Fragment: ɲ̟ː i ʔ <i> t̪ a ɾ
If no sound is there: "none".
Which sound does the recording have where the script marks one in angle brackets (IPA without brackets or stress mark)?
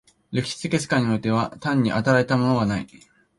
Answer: a